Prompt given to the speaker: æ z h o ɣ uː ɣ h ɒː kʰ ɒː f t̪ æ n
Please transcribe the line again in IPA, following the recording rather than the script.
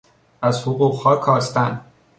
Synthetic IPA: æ z h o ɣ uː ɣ h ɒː kʰ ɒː s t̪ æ n